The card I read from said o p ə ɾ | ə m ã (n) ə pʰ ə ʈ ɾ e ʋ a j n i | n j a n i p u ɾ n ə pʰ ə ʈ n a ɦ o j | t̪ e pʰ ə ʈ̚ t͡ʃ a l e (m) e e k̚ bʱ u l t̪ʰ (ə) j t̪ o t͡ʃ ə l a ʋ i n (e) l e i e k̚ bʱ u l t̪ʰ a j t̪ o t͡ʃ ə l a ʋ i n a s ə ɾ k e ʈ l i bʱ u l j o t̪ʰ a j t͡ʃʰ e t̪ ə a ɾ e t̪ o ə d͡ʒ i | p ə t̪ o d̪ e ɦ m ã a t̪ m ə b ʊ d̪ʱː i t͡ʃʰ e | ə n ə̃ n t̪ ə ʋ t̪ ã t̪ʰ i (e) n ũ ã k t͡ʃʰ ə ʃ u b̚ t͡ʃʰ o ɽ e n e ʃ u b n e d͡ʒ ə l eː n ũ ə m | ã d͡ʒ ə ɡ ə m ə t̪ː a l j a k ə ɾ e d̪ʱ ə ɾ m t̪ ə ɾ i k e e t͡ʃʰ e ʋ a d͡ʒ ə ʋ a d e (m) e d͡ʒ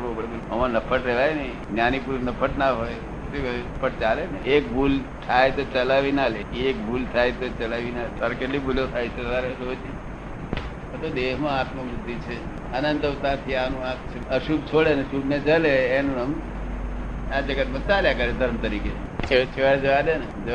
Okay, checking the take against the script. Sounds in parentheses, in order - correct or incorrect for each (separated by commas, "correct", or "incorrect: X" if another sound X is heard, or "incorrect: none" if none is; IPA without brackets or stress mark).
correct, incorrect: n, incorrect: a, incorrect: a, incorrect: a, incorrect: n